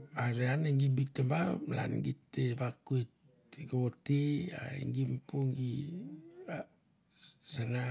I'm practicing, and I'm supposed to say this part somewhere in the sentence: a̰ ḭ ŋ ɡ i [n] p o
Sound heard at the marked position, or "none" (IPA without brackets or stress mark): m